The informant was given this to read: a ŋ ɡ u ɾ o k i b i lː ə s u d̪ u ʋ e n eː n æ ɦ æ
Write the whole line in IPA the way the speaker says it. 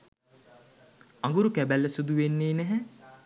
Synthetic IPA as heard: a ŋ ɡ u ɾ u k æ b æ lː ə s u d̪ u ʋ e nː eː n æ ɦ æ